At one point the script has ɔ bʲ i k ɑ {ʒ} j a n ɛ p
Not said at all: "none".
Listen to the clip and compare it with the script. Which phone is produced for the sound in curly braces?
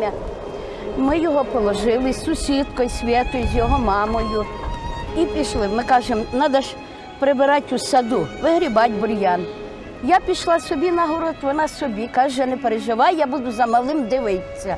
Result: ʒ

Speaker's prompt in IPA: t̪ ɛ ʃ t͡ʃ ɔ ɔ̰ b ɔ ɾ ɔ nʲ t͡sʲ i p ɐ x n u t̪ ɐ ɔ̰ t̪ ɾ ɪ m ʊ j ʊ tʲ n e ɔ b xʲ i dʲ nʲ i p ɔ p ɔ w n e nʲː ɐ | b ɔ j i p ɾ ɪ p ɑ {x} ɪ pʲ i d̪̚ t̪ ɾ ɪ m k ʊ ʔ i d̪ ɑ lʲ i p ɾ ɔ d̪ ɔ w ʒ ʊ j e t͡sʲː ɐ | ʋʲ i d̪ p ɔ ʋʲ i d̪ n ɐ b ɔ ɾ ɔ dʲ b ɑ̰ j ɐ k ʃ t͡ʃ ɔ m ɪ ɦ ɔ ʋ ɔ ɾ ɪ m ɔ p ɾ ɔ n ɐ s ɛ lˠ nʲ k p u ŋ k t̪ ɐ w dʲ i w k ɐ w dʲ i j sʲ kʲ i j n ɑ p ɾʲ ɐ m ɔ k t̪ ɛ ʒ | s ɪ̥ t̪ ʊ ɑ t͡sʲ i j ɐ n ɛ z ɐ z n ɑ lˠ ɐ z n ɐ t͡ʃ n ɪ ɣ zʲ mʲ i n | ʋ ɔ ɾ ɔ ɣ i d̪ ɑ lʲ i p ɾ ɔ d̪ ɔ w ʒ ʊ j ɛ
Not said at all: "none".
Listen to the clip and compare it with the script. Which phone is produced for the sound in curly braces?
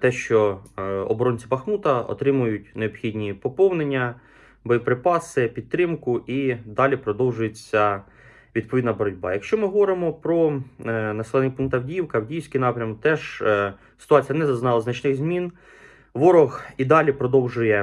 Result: s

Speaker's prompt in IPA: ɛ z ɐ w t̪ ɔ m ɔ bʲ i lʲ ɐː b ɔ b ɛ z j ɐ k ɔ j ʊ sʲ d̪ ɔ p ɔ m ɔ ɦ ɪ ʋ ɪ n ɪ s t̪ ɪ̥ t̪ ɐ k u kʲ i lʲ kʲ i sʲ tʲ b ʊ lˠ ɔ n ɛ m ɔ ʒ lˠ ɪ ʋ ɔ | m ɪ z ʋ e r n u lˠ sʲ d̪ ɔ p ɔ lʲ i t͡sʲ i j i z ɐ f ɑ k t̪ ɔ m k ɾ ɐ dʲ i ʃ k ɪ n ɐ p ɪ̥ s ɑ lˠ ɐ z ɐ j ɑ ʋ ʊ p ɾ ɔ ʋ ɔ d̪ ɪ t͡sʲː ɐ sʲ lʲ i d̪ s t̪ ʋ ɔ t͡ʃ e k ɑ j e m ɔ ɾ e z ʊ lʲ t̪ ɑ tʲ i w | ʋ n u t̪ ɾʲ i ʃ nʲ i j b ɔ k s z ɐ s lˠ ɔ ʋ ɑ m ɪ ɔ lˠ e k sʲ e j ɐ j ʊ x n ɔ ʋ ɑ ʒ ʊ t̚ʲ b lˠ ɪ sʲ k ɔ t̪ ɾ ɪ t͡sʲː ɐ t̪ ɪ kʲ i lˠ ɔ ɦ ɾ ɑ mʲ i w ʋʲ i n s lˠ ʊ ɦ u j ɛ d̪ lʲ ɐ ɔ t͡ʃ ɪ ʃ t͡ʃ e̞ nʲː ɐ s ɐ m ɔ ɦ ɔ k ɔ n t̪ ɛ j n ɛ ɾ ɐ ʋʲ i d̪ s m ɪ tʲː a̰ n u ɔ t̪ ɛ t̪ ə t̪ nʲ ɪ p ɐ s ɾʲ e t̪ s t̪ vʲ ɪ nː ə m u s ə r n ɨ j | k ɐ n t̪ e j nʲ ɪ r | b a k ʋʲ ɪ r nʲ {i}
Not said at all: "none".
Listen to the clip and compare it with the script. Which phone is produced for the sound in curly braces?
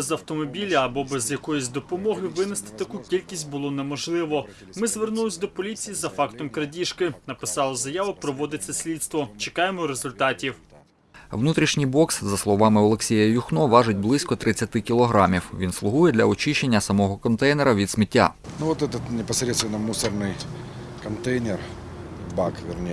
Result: e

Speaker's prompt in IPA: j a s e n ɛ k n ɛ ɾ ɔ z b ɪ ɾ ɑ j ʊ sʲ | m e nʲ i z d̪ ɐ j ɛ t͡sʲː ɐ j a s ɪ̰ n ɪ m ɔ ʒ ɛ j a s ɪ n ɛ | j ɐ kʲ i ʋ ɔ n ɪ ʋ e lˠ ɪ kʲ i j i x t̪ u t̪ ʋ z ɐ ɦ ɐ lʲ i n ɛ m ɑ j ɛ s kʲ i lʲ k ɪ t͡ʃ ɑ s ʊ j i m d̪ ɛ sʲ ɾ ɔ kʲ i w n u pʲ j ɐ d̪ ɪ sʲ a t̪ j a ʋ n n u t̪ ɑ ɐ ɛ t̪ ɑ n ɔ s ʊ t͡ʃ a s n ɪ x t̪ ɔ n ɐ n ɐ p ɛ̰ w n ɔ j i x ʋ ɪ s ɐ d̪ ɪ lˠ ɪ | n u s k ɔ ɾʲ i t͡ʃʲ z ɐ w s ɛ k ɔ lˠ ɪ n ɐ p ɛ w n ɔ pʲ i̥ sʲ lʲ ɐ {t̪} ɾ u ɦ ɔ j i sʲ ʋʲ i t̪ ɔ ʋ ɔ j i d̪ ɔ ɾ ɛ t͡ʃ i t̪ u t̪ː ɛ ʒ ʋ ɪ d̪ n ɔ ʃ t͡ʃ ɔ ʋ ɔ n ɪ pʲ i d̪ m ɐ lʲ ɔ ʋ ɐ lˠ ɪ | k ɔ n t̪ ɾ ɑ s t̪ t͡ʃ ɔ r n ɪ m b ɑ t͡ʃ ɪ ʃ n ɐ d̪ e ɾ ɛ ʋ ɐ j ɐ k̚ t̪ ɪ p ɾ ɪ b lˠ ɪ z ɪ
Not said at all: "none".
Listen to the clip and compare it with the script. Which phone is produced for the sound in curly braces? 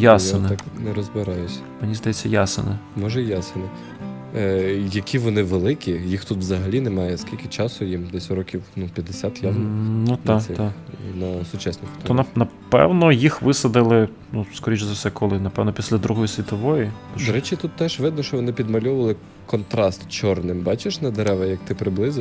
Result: d̪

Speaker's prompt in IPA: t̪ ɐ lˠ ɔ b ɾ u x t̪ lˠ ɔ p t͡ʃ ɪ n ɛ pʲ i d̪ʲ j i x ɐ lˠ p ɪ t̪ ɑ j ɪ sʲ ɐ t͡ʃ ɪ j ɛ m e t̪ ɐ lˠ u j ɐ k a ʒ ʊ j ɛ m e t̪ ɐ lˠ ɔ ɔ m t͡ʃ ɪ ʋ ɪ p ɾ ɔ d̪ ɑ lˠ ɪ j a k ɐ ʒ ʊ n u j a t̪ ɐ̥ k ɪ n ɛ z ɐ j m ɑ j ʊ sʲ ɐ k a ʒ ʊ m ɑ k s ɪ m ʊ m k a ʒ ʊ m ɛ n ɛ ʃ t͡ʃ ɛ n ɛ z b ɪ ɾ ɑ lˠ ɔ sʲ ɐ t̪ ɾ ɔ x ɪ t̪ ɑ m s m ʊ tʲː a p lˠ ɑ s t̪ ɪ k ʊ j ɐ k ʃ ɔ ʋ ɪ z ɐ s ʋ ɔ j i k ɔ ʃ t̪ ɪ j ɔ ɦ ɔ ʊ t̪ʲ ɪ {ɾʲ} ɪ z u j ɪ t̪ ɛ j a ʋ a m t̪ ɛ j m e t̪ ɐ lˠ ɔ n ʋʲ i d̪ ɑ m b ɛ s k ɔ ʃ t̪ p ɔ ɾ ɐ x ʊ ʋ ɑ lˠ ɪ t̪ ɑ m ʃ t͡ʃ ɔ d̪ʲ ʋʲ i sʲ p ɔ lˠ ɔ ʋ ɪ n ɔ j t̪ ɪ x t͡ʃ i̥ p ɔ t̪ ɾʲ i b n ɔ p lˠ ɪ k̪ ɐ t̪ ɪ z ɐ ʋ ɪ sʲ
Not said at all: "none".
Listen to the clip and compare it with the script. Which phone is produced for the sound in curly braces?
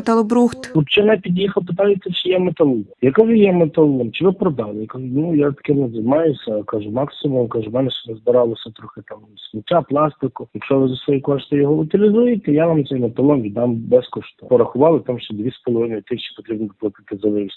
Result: lʲ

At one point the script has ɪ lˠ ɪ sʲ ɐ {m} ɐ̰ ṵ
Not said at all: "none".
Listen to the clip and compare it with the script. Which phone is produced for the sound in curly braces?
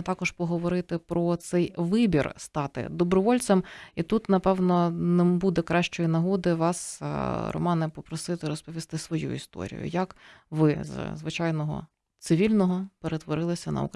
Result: n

